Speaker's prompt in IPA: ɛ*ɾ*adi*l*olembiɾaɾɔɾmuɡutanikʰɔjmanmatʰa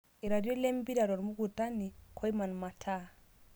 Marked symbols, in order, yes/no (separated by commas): yes, no